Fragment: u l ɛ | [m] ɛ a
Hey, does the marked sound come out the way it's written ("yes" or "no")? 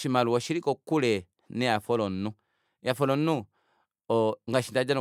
no